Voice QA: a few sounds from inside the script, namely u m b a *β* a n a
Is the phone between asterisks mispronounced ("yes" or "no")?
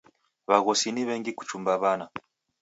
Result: no